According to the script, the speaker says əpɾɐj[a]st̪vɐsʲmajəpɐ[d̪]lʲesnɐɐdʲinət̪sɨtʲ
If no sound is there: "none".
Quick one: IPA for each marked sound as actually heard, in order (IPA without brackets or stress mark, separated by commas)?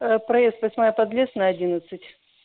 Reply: e, d̪